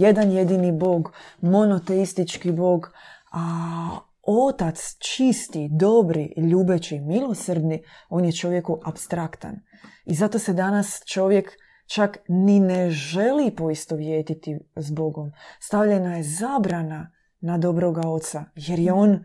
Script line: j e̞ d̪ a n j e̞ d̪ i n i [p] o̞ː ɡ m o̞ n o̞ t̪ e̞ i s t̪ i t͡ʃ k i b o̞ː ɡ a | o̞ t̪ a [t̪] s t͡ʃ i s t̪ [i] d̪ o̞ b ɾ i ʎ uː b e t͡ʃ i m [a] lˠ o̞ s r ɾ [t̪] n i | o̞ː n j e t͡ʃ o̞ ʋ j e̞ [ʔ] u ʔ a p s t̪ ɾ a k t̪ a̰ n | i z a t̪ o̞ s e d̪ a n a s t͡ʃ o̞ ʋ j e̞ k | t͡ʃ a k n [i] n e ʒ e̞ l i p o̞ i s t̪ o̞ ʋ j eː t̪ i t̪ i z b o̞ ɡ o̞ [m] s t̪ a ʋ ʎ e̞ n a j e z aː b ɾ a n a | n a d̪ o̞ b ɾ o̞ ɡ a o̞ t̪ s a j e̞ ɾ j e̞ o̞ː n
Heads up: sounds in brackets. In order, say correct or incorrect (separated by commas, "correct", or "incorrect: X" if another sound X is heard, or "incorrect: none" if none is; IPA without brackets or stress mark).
incorrect: b, correct, correct, incorrect: i, incorrect: d̪, incorrect: k, correct, correct